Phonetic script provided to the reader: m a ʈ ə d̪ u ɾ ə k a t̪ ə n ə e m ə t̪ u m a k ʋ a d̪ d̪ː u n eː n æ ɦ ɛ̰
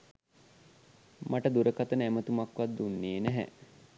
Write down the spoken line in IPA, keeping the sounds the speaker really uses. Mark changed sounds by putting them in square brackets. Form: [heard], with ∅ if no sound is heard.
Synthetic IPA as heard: m a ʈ ə d̪ u ɾ ə k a t̪ ə n ə [æ] m ə t̪ u m a k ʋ a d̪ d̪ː u [nː] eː n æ ɦ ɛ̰